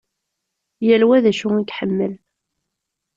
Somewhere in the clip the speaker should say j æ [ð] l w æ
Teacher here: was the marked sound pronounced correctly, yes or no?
no